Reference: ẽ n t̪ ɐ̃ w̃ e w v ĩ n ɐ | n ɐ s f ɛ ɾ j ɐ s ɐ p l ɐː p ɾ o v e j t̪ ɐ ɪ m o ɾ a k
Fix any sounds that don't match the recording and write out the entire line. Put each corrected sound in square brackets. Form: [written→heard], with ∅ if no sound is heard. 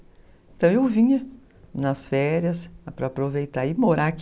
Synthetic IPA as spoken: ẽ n t̪ ɐ̃ w̃ e w v ĩ [n→ɲ] ɐ | n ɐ s f ɛ ɾ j ɐ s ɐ p [l→ɾ] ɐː p ɾ o v e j t̪ [ɐ→a] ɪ m o ɾ a k